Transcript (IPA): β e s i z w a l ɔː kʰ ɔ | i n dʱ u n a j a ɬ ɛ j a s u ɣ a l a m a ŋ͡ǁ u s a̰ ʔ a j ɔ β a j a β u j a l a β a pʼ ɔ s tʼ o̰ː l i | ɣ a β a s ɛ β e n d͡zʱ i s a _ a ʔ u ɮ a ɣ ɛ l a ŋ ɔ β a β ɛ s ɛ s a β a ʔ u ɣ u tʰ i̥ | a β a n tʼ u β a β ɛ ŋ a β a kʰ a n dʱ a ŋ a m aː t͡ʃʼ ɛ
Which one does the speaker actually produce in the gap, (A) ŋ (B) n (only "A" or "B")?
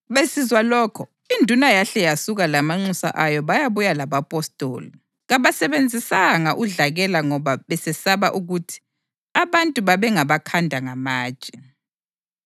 A